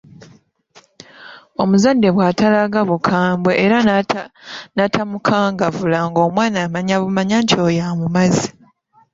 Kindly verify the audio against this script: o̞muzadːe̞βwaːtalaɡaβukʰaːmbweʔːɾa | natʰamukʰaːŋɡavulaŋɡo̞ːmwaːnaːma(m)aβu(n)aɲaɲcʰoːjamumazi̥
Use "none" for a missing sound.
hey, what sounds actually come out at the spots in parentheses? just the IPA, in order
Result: ɲ, m

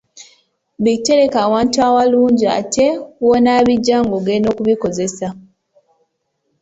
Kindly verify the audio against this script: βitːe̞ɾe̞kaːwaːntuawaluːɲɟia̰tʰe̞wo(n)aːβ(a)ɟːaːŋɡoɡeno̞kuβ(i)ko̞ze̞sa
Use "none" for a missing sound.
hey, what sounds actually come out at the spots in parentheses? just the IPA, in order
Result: n, i, i

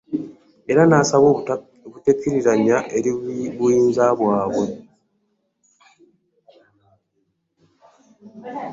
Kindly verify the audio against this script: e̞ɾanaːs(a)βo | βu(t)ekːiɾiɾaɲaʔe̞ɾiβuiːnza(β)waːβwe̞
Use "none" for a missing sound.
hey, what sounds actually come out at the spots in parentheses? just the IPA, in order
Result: a, t, β

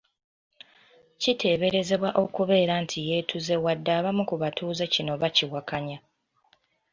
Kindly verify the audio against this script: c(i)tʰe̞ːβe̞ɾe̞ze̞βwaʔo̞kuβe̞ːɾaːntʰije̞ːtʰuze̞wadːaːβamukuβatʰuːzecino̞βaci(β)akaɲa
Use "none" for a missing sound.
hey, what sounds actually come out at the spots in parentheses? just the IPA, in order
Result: i, w

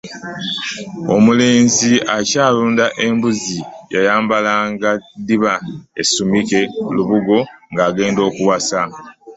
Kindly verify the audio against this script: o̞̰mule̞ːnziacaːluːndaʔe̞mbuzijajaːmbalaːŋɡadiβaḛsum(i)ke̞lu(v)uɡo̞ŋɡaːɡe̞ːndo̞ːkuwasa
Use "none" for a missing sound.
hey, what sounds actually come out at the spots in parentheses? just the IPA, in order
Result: i, β

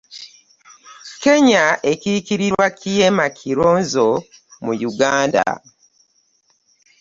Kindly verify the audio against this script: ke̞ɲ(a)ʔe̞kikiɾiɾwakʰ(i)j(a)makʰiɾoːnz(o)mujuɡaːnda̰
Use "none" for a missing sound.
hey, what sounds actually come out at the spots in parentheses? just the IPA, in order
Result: a, i, e, o

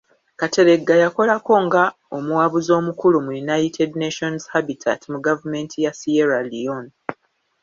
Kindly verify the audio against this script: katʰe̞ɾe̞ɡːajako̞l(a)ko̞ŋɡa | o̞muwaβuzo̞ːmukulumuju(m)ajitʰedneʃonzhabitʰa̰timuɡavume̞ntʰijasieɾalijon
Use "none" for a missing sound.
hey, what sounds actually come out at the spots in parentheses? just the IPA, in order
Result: a, n

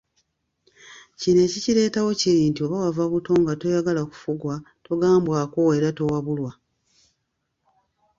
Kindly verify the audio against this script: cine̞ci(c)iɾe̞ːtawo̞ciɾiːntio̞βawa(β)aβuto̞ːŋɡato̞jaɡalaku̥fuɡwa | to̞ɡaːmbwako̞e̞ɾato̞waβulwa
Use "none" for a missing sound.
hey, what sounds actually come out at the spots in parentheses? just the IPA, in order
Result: c, v

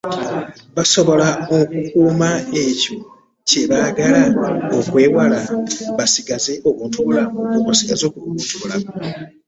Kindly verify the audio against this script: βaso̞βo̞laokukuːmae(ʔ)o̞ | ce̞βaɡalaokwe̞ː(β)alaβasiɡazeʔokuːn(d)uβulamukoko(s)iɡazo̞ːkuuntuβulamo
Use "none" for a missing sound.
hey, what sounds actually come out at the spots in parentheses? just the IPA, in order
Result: c, w, t, s

